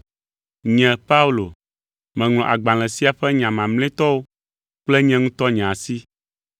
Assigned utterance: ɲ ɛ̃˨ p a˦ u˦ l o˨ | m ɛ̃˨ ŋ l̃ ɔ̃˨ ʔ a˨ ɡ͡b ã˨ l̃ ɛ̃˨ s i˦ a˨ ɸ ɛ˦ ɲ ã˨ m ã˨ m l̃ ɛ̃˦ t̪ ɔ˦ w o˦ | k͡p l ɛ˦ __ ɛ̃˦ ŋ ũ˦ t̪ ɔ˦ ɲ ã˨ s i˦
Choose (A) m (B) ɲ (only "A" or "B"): B